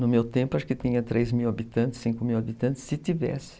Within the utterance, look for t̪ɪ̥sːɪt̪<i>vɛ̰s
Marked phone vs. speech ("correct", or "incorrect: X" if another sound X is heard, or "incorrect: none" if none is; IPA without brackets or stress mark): correct